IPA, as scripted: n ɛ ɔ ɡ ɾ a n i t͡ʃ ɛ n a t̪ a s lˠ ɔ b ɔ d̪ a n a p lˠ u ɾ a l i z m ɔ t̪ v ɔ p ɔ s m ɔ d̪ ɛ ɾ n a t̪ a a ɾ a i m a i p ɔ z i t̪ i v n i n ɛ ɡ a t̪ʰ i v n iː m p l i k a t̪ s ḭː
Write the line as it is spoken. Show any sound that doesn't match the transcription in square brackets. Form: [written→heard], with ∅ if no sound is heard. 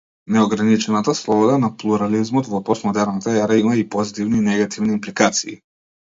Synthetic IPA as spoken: n ɛ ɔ ɡ ɾ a n i t͡ʃ ɛ n a t̪ a s lˠ ɔ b ɔ d̪ a n a p lˠ u ɾ a l i z m ɔ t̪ v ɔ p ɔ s m ɔ d̪ ɛ ɾ n a t̪ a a ɾ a i m a i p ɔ z i t̪ i v n i n ɛ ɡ a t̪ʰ i v n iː m p l i k a t̪ s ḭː

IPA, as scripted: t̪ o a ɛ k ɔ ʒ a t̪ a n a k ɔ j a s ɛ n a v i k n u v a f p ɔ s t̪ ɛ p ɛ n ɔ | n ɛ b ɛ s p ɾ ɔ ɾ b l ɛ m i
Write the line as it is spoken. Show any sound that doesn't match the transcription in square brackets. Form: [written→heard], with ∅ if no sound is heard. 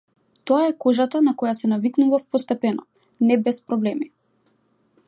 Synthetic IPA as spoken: t̪ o a ɛ k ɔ ʒ a t̪ a n a k ɔ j a s ɛ n a v i k n u v a f p ɔ s t̪ ɛ p ɛ n ɔ | n ɛ b ɛ s p ɾ ɔ [ɾ→∅] b l ɛ m i

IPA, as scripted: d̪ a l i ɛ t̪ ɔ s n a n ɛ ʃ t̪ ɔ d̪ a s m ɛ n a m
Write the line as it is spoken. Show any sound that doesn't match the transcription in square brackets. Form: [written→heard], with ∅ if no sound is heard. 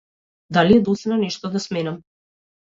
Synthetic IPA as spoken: d̪ a l i ɛ [t̪→d̪] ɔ s n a n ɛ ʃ t̪ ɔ d̪ a s m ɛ n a m

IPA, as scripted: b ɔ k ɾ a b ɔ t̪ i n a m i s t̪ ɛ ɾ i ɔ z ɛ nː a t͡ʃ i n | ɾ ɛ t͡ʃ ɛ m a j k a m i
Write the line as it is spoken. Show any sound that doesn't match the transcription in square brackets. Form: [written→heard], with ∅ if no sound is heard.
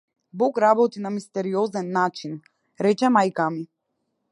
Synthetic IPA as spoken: b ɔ k ɾ a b ɔ t̪ i n a m i s t̪ ɛ ɾ i ɔ z ɛ nː a t͡ʃ i n | ɾ ɛ t͡ʃ ɛ m a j k a m i

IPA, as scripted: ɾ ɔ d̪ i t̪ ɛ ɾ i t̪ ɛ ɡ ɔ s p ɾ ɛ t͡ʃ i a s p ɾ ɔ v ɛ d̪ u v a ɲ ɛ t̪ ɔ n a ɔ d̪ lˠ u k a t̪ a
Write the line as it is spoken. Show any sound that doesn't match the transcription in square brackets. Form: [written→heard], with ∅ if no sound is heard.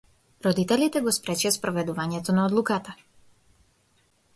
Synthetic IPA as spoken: ɾ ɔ d̪ i t̪ ɛ [ɾ→l] i t̪ ɛ ɡ ɔ s p ɾ ɛ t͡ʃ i a s p ɾ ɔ v ɛ d̪ u v a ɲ ɛ t̪ ɔ n a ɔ d̪ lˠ u k a t̪ a

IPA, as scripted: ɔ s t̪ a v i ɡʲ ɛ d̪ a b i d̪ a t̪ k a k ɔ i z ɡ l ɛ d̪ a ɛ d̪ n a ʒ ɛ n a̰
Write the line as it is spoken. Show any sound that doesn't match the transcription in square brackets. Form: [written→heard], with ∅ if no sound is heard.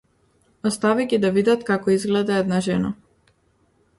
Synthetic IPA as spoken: ɔ s t̪ a v i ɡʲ [ɛ→i] d̪ a [b→v] i d̪ a t̪ k a k ɔ i z ɡ l ɛ d̪ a ɛ d̪ n a ʒ ɛ n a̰

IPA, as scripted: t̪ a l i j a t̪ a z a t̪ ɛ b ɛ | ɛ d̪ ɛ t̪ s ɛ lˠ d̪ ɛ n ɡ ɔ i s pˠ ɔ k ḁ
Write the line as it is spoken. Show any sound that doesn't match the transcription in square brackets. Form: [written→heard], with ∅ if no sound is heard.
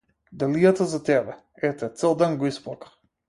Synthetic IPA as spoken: [t̪→d̪] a l i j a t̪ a z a t̪ ɛ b ɛ | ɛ [d̪→t̪] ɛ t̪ s ɛ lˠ d̪ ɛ n ɡ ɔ i s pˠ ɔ k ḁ

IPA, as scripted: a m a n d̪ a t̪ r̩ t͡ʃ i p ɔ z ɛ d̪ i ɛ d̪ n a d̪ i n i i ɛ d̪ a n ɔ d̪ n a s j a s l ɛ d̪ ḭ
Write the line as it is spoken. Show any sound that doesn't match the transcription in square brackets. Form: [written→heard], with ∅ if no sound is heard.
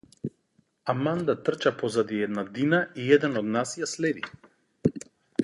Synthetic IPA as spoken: a m a n d̪ a t̪ r̩ t͡ʃ [i→a] p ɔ z [ɛ→a] d̪ i ɛ d̪ n a d̪ i n [i→a] i ɛ d̪ [a→ɛ] n ɔ d̪ n a s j a s l ɛ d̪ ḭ

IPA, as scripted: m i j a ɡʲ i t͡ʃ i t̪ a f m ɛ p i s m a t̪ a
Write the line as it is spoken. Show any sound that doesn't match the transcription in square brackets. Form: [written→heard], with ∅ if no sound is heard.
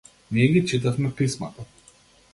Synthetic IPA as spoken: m i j [a→ɛ] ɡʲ i t͡ʃ i t̪ a f m ɛ p i s m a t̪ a

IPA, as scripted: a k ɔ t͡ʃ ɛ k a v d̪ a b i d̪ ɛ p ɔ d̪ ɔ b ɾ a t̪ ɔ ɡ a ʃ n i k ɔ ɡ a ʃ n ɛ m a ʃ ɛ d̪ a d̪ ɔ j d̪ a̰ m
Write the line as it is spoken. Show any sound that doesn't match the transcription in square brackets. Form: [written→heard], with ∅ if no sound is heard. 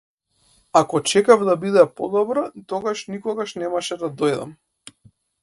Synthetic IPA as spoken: a k ɔ t͡ʃ ɛ k a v d̪ a b i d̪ ɛ p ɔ d̪ ɔ b ɾ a t̪ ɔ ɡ a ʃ n i k ɔ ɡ a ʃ n ɛ m a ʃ ɛ d̪ a d̪ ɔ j d̪ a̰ m

